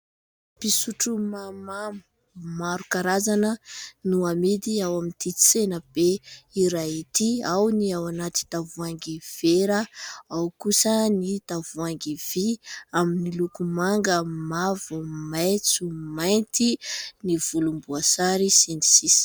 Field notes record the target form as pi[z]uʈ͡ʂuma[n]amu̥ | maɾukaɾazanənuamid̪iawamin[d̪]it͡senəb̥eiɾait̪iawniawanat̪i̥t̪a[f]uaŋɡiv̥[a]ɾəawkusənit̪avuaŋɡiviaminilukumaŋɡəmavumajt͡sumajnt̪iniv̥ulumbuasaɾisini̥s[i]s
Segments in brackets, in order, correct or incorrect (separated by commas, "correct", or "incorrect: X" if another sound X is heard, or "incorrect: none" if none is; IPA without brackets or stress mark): incorrect: s, incorrect: m, incorrect: t̪, incorrect: v, incorrect: e, correct